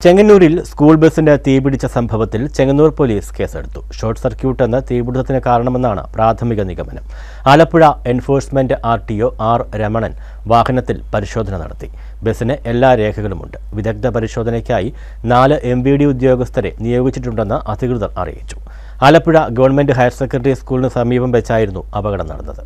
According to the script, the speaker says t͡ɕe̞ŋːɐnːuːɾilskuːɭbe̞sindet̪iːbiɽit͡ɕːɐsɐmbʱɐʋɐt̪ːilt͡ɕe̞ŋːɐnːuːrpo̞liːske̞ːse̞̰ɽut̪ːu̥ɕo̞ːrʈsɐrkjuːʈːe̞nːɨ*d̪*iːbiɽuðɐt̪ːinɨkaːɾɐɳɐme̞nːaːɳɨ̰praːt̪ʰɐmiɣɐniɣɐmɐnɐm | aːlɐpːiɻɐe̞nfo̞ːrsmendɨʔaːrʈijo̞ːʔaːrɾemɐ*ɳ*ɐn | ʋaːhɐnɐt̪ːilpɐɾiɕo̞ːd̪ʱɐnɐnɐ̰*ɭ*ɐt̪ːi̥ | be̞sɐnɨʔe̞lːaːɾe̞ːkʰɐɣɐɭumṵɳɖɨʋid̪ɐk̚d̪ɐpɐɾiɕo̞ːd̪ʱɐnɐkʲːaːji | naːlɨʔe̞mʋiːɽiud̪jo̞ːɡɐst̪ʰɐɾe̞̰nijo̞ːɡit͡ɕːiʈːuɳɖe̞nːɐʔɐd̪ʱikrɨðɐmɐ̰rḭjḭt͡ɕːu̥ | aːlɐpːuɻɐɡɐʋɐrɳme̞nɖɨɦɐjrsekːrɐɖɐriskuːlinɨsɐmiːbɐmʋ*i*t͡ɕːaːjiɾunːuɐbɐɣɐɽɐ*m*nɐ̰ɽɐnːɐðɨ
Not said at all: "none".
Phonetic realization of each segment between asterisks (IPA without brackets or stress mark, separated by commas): t̪, ɳ, ɽ, e, m